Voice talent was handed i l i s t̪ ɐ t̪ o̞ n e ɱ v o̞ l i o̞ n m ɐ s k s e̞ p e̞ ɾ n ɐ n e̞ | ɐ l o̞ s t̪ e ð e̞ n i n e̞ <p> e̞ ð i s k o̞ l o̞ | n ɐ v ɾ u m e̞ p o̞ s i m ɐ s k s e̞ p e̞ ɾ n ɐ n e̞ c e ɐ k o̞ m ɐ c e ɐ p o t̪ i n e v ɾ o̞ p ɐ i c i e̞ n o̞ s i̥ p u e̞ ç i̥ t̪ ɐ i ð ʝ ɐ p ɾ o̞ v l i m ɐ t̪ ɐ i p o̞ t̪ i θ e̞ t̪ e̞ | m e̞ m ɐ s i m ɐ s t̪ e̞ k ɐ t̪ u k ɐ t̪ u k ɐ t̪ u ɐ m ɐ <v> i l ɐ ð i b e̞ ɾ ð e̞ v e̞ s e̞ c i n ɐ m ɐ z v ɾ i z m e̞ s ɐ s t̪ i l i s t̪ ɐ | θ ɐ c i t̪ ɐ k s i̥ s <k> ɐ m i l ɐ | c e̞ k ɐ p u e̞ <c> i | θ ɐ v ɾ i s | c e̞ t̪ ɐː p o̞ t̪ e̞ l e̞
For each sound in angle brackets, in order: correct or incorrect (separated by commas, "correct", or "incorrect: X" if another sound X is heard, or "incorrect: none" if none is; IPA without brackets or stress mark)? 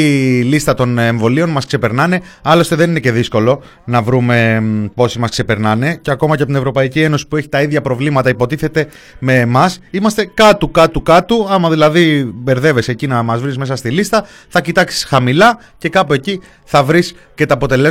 incorrect: c, incorrect: ð, incorrect: x, correct